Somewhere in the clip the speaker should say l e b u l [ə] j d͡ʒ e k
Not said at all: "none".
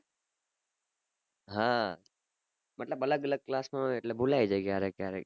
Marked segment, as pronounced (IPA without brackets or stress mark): a